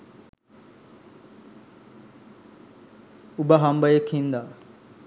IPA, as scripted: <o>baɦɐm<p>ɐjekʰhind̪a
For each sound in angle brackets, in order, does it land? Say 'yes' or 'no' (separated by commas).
no, no